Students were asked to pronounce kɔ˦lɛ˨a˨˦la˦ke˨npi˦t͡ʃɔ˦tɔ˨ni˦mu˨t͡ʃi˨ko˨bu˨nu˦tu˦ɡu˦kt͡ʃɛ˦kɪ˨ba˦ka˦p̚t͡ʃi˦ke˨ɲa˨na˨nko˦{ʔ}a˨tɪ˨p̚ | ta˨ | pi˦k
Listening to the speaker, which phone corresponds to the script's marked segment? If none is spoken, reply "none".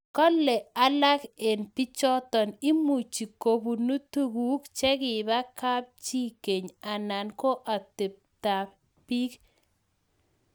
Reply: ʔ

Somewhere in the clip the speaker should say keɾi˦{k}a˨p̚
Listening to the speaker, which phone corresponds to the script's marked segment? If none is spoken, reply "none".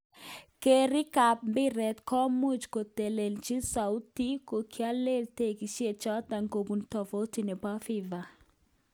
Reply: k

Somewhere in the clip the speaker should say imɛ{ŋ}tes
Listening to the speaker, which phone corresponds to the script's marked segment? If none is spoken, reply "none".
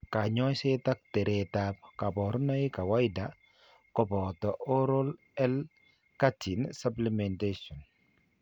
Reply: n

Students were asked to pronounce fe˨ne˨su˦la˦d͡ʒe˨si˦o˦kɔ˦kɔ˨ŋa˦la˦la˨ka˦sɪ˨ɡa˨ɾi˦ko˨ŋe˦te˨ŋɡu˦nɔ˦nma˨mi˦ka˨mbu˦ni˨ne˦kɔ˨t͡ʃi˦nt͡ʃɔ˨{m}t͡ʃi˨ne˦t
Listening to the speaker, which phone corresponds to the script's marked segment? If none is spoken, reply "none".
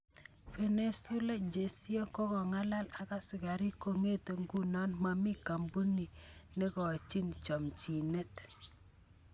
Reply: m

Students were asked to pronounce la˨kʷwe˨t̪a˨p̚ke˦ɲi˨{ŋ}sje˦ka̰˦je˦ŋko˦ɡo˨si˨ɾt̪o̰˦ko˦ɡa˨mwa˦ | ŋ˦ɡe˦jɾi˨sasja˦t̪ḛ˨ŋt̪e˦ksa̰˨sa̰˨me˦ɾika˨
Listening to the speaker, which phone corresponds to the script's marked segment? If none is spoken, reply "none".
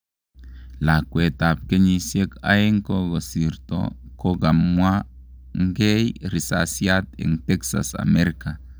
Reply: none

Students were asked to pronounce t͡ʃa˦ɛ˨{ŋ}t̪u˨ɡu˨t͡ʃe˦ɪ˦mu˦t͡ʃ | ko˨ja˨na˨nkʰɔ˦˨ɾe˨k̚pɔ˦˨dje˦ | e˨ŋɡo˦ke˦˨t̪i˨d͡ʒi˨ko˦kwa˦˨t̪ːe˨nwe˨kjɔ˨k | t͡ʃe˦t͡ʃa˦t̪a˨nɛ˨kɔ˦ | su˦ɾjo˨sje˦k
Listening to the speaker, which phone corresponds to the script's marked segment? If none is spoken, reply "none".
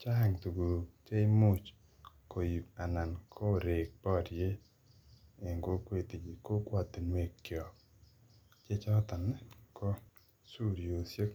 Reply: ŋ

